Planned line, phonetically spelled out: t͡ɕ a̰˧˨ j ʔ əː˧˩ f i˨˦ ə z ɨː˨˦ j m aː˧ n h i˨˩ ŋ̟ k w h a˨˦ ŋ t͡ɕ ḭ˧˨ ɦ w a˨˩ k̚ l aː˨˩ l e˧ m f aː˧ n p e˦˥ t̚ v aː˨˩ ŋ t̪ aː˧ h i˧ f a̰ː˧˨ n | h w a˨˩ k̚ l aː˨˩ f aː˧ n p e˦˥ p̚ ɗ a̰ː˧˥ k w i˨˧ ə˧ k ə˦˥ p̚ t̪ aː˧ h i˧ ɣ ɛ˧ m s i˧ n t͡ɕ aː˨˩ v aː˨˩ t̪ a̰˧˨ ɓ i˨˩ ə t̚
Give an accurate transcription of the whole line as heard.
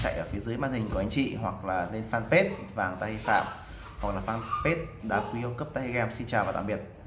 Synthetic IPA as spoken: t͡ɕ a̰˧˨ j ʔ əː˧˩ f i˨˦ ə z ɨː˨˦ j m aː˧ n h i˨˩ ŋ̟ k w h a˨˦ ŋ t͡ɕ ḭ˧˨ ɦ w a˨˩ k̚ l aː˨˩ l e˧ n f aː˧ n p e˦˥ t̚ v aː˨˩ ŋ t̪ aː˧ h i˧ f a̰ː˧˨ m | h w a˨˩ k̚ l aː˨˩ f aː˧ n p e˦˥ t̚ ɗ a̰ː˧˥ k w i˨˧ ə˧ k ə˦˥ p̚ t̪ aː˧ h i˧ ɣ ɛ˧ m s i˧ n t͡ɕ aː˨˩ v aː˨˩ t̪ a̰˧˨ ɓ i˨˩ ə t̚